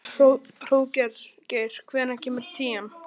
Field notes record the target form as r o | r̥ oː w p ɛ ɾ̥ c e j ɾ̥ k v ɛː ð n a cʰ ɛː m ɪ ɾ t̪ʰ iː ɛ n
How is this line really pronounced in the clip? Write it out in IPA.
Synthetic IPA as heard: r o | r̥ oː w c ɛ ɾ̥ c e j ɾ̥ kʰ v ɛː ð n a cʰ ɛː m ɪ ɾ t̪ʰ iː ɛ m